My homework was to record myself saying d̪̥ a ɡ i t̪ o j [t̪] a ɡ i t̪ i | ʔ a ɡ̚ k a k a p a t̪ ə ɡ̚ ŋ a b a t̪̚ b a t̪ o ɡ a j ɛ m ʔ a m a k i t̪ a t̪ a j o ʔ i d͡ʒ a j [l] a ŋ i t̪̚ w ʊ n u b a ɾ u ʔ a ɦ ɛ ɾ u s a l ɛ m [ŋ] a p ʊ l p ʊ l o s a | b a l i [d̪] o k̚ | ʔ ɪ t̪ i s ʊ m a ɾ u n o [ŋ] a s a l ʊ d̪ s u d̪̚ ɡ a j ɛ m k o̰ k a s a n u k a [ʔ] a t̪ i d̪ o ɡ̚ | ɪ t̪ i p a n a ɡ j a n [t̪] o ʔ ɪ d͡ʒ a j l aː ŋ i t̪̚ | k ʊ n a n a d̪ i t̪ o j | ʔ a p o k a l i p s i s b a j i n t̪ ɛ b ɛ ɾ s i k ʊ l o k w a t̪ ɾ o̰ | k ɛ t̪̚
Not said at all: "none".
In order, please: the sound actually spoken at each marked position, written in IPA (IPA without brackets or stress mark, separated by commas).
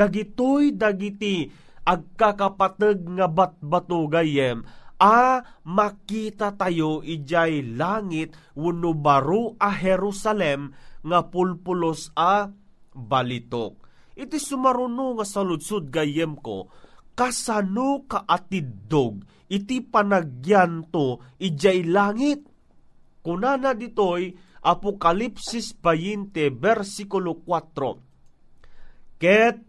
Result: d̪, l, ŋ, t̪, ŋ, ʔ, t̪